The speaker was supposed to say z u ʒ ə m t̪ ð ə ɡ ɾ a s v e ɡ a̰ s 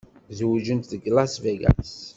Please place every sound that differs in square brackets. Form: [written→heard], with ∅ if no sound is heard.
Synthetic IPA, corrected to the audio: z [u→w] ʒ ə [m→n] t̪ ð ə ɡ [ɾ→l] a s v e ɡ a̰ s